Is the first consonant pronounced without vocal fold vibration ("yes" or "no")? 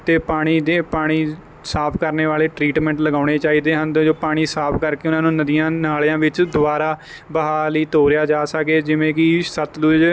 yes